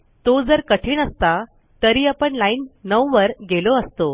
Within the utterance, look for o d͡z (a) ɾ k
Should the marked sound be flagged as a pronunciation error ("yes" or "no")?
yes